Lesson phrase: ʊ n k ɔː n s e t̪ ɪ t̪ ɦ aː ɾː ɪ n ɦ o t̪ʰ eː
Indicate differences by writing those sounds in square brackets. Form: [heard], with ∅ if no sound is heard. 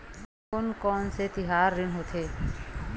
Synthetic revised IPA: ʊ n k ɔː n s e t̪ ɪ [∅] ɦ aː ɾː ɪ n ɦ o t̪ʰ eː